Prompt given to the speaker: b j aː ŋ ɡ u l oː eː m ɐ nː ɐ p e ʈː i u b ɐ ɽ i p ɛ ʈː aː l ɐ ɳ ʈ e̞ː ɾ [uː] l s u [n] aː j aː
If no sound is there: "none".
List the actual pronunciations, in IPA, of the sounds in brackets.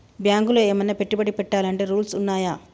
uː, nː

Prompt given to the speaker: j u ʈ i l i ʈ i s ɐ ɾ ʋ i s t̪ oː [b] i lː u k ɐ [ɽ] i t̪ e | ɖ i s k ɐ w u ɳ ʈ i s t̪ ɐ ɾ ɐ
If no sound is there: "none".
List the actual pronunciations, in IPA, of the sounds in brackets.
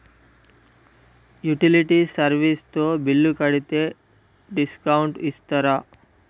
b, ɽ

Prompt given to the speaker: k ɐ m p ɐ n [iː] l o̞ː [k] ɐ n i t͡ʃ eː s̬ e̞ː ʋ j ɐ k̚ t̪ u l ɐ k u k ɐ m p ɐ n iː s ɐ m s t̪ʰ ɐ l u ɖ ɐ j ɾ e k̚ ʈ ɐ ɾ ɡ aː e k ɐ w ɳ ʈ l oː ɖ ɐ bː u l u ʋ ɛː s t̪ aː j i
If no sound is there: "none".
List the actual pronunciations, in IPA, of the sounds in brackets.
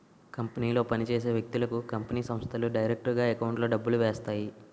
iː, p

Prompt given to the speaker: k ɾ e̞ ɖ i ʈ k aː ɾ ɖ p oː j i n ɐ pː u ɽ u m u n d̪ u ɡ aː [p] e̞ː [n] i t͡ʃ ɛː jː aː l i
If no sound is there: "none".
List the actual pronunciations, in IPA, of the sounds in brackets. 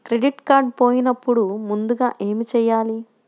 ʔ, m

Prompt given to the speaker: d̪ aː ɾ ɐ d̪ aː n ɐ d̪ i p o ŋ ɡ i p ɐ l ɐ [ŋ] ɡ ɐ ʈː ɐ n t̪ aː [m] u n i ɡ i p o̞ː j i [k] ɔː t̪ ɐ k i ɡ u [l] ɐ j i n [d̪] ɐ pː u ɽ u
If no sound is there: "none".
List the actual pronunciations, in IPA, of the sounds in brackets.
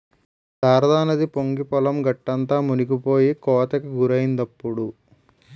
m, m, k, ɾ, d̪

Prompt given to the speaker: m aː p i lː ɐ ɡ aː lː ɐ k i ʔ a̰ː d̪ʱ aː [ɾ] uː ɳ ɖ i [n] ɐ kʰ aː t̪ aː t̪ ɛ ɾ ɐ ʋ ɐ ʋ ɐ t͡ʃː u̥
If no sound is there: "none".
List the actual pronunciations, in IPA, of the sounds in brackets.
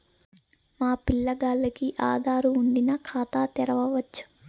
ɾ, n

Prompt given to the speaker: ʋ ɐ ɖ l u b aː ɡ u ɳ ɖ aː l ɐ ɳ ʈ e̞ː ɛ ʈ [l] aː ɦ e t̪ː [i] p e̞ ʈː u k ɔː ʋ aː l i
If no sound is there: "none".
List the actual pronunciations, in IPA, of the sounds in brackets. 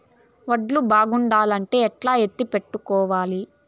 l, i

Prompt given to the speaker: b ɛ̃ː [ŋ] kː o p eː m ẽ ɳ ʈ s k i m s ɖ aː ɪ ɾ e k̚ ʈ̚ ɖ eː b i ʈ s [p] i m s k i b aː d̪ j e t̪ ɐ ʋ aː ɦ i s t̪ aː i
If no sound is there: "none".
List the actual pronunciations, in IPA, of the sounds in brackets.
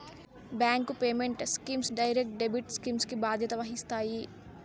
ŋ, k

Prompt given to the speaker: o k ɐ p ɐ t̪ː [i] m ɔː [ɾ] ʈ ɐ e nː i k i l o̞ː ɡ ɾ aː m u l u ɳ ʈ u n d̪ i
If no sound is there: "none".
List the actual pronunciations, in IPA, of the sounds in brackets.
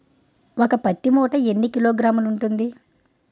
i, none

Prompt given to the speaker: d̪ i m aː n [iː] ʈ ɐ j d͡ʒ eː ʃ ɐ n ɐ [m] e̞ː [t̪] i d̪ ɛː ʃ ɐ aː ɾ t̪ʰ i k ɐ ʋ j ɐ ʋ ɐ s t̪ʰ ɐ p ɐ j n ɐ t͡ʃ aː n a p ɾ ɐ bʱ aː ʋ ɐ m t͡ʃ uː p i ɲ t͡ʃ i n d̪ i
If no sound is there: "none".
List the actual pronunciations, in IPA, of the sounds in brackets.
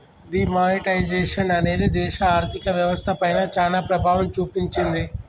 i, n, d̪

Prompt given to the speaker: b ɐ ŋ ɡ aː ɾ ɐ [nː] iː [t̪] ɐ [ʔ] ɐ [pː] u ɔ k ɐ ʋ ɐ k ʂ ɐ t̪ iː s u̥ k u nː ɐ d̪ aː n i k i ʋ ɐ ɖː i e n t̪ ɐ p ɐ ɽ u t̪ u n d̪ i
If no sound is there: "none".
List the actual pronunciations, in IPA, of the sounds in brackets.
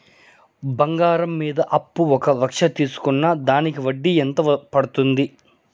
mː, d̪, ʔ, pː

